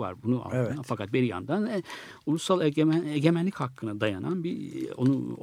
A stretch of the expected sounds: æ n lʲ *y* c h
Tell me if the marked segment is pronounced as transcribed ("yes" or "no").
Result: no